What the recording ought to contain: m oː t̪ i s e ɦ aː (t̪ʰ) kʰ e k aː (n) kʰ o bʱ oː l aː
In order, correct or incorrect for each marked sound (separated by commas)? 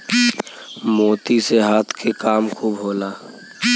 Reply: correct, incorrect